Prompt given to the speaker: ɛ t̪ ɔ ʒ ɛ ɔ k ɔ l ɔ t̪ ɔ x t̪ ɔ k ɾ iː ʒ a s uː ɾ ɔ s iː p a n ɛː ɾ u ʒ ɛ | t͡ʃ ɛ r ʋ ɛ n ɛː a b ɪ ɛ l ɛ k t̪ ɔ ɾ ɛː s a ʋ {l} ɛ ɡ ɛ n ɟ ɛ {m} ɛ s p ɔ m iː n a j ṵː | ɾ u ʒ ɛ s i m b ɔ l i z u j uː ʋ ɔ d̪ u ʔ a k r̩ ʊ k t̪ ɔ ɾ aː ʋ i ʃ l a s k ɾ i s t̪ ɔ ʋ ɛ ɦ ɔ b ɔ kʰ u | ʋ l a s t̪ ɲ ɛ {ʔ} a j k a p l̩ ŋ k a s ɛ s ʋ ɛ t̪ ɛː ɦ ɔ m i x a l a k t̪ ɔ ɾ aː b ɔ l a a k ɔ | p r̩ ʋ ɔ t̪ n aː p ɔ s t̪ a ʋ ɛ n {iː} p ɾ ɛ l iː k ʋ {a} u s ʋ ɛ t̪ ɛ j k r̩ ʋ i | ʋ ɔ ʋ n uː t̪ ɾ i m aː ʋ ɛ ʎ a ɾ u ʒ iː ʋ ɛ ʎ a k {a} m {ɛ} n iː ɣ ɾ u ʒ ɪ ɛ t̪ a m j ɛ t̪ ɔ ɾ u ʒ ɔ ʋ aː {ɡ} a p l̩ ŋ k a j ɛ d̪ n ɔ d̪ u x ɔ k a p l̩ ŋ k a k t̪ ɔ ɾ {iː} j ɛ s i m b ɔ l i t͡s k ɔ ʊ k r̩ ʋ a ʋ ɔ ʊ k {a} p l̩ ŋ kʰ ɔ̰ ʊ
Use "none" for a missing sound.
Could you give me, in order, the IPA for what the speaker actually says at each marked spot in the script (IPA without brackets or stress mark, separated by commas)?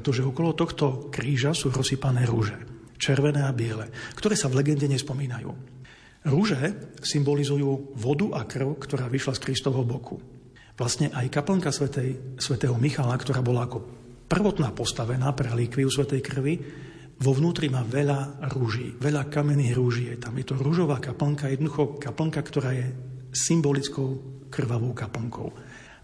l, ɲ, ʔ, aː, i, a, ɛ, k, aː, a